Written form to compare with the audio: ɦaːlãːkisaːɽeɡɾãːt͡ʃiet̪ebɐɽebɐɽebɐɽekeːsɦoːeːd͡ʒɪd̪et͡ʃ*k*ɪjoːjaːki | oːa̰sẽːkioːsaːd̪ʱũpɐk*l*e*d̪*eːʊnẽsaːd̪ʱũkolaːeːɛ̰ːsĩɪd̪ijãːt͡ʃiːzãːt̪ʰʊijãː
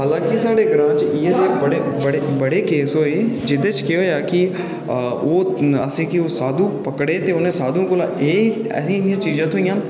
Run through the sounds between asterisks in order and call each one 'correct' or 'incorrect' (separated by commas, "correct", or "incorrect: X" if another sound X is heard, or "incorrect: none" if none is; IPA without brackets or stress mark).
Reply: correct, incorrect: ɽ, incorrect: t̪